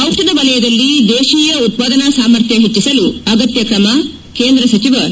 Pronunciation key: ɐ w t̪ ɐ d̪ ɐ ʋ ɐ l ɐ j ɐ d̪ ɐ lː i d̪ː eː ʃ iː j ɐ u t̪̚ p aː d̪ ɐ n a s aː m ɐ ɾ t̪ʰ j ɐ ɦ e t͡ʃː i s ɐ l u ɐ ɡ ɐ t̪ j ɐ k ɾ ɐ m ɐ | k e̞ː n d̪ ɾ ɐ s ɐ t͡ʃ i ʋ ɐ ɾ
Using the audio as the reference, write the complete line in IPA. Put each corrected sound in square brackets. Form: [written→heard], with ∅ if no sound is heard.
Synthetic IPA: ɐ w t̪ ɐ d̪ ɐ ʋ ɐ l ɐ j ɐ d̪ ɐ lː i [d̪ː→d̪] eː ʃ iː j ɐ u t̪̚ p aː d̪ ɐ n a s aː m ɐ ɾ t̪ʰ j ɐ ɦ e t͡ʃː i s ɐ l u ɐ ɡ ɐ t̪ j ɐ k ɾ ɐ m ɐ | k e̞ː n d̪ ɾ ɐ s ɐ t͡ʃ i ʋ ɐ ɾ